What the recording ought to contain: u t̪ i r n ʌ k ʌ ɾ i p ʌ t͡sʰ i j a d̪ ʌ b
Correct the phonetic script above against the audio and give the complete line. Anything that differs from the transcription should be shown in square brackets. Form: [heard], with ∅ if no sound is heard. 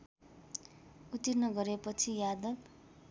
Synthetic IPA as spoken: u t̪ i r n ʌ [ɡ] ʌ ɾ [e] p ʌ t͡sʰ i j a d̪ ʌ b